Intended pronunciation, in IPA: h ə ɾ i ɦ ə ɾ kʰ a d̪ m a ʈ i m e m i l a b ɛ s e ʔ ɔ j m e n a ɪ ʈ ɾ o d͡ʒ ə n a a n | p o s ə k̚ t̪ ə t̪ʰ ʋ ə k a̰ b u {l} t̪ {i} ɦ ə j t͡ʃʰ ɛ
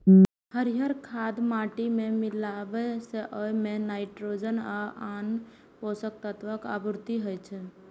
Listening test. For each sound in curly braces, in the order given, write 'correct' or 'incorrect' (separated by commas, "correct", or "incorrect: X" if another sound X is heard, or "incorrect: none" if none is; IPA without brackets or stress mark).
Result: incorrect: ɾ, correct